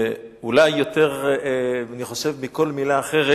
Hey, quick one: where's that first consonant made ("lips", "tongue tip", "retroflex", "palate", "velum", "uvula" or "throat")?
tongue tip